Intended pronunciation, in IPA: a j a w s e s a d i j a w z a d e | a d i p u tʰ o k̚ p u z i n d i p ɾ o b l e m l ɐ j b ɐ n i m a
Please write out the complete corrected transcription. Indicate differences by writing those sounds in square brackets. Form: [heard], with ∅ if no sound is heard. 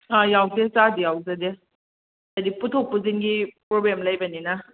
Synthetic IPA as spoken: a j a w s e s a d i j a w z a d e | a d i p u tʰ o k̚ p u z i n [ɡ] i p ɾ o b l e m l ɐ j b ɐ n i [n] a